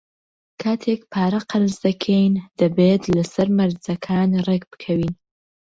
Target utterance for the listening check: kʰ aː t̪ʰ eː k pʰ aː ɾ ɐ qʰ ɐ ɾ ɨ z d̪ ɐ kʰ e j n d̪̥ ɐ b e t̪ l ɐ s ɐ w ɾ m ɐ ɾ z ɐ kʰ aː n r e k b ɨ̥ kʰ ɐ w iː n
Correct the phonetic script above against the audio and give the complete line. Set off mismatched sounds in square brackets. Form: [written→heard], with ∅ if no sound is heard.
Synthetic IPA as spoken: kʰ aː t̪ʰ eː k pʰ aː ɾ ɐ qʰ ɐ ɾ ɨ z d̪ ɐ kʰ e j n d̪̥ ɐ b e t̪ l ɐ s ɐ [w→∅] ɾ m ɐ ɾ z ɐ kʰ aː n r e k b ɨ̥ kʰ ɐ w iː n